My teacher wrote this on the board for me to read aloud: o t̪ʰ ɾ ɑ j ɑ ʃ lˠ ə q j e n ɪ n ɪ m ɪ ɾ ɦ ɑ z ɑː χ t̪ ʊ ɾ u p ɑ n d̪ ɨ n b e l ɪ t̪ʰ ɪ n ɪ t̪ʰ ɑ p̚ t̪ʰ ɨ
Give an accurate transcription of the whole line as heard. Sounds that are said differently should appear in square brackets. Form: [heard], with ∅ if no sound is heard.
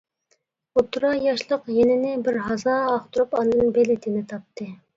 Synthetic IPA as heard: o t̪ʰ ɾ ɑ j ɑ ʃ lˠ ə q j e n ɪ n ɪ [b] ɪ ɾ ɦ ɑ z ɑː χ t̪ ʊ ɾ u p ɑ n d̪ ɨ n b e l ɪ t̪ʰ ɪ n ɪ t̪ʰ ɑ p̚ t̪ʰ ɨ